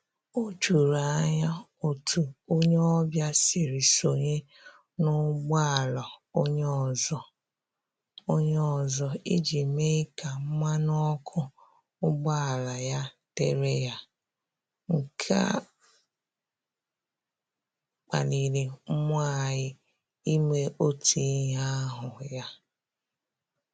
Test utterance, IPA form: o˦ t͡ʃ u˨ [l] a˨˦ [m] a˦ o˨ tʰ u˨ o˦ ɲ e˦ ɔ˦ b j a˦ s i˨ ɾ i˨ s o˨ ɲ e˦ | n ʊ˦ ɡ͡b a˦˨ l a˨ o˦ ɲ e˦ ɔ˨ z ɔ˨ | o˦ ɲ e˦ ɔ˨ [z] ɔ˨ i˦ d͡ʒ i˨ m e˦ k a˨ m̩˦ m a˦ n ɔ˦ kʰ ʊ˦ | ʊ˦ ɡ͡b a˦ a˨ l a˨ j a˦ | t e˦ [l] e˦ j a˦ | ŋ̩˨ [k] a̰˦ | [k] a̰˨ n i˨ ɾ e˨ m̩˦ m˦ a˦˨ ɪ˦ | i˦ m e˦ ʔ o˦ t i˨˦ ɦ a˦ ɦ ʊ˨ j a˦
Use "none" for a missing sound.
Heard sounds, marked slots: ɾ, ɲ, z, ɾ, kʰ, k͡p

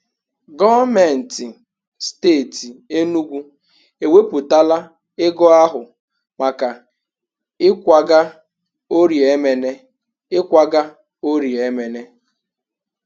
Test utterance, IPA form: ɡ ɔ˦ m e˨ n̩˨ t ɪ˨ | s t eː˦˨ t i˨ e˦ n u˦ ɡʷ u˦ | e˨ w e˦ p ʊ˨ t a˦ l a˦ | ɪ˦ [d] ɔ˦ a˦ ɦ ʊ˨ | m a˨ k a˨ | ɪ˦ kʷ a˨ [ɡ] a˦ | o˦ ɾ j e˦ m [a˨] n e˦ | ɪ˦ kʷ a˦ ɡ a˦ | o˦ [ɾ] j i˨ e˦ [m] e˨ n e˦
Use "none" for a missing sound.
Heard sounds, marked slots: ɡ, ɡ, e˨, ɾ, m

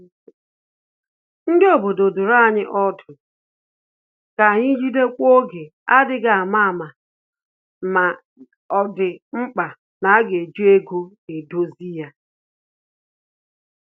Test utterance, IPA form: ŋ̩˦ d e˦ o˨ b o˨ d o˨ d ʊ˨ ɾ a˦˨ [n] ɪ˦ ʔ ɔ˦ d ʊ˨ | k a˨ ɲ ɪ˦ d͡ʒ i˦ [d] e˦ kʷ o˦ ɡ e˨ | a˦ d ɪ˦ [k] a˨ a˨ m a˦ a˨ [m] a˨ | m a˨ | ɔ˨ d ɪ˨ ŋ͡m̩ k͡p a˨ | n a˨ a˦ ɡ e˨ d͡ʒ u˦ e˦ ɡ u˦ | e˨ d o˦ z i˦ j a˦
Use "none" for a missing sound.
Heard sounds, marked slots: ɲ, d, ɡ, m

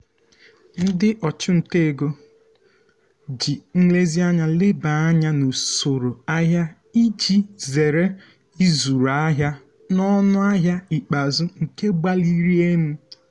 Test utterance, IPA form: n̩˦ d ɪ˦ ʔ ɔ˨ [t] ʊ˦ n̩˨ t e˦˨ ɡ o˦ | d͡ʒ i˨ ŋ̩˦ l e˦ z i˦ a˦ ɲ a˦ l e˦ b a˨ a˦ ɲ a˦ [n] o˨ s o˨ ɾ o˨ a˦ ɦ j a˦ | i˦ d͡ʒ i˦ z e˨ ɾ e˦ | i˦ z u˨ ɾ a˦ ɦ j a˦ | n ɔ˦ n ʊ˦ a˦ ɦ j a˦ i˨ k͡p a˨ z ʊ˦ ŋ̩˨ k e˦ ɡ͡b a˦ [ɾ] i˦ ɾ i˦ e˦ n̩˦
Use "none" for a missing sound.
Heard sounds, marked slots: t͡ʃ, n, l

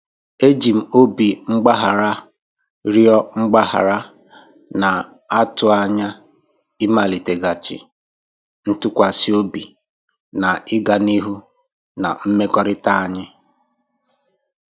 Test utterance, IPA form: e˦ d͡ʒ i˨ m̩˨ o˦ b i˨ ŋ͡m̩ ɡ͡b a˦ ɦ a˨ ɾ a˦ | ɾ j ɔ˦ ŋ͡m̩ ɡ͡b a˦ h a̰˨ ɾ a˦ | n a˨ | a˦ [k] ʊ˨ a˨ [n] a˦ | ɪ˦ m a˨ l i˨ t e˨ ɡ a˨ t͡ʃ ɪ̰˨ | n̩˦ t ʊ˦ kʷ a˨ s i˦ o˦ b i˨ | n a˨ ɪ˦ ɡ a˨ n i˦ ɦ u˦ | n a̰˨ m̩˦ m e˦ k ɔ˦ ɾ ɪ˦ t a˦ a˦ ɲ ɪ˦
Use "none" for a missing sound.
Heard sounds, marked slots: t, ɲ

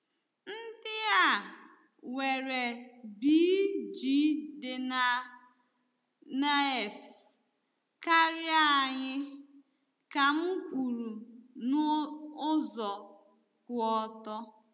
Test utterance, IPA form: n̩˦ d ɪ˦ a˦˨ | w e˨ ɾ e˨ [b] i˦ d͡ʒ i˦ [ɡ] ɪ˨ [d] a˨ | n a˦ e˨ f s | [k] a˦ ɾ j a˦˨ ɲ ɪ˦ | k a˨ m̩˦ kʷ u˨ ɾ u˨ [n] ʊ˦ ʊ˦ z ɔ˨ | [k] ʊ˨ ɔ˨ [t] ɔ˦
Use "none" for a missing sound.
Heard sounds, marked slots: b, d, n, k, n, k, t

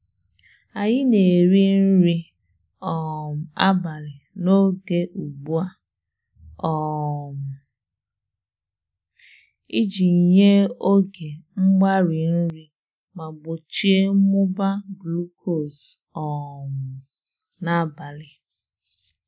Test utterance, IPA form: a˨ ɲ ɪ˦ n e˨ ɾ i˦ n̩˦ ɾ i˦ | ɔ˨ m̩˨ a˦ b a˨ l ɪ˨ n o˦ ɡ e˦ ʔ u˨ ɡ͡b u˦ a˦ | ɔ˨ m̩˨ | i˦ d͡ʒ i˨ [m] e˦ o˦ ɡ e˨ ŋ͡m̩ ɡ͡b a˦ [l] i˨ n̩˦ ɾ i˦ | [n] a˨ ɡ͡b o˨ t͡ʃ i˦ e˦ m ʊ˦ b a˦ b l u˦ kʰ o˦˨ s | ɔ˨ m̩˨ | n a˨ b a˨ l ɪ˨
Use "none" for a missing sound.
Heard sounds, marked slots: ɲ, ɾ, m

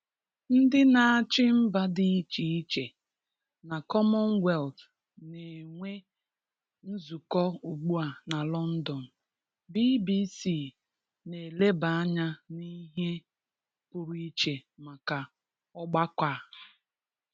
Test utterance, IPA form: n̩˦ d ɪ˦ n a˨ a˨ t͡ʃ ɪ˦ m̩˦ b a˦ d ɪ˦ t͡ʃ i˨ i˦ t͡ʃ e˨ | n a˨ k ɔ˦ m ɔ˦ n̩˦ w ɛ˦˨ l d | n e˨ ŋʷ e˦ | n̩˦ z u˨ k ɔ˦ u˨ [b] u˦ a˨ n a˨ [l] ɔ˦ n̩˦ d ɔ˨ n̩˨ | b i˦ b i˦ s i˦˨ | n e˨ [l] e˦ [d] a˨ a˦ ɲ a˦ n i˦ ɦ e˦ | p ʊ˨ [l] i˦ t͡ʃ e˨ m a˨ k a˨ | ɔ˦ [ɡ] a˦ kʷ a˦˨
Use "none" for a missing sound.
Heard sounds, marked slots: ɡ͡b, l, l, b, ɾ, ɡ͡b

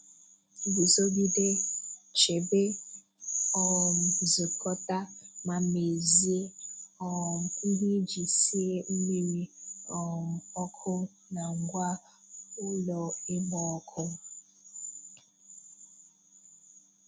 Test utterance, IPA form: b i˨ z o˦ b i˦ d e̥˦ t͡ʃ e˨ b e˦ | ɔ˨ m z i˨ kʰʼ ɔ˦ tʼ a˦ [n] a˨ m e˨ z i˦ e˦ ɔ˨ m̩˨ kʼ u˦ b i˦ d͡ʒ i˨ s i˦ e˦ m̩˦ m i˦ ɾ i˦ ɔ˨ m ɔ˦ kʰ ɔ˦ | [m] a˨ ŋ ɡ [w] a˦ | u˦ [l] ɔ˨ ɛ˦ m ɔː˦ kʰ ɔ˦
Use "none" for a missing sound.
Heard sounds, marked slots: m, n, w, l

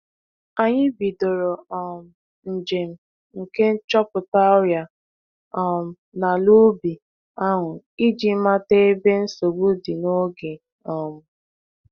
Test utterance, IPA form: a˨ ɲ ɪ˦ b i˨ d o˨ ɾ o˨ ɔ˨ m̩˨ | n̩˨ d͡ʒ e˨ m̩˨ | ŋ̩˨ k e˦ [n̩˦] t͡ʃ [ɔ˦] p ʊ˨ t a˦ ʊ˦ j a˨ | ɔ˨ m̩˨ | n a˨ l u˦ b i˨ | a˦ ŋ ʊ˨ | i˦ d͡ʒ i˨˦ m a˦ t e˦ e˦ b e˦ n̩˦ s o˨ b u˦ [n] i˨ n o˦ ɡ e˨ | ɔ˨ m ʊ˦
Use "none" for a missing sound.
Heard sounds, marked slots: n̩˦, ɔ˦, d

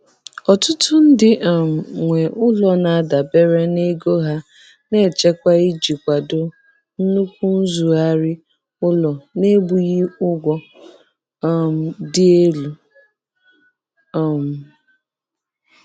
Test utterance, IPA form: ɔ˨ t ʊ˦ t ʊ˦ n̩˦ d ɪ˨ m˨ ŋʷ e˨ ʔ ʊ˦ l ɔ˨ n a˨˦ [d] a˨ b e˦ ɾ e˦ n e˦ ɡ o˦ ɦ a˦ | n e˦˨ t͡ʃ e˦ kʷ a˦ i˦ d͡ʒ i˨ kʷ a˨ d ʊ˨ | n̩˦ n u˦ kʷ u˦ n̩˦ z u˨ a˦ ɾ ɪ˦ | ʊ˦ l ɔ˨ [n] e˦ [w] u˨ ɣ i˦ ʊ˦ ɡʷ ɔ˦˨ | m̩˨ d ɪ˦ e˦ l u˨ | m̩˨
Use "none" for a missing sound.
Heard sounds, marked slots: d, n, b

